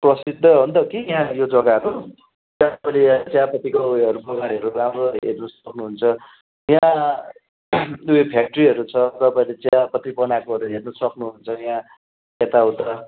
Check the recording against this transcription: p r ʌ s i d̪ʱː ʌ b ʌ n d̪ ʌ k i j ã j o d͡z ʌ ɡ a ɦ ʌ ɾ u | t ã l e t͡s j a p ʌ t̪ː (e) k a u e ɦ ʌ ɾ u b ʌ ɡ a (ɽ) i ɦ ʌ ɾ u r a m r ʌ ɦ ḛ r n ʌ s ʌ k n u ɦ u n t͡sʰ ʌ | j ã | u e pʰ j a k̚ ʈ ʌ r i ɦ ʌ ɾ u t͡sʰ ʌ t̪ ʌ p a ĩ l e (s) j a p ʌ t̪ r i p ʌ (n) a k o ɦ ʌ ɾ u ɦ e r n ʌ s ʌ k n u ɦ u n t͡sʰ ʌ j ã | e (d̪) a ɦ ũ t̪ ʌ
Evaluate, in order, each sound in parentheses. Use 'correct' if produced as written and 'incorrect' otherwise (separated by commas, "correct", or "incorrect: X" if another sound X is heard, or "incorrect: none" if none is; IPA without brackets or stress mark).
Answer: incorrect: i, incorrect: ɾ, incorrect: t͡s, correct, incorrect: t̪